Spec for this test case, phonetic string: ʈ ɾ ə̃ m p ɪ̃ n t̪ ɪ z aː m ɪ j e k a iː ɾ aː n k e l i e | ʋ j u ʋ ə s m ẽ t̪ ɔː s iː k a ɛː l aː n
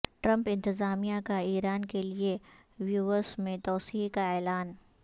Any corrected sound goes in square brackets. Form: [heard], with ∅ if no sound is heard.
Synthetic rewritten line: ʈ ɾ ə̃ m p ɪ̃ n t̪ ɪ z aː m [i] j [a] k a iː ɾ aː n k e l i e | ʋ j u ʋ ə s m ẽ t̪ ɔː s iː k a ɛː l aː n